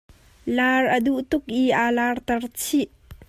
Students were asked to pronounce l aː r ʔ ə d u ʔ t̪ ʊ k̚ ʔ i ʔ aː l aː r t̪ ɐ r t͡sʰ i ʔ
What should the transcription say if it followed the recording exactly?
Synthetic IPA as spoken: l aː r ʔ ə d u ʔ t̪ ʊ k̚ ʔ i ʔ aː l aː r t̪ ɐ r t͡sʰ i ʔ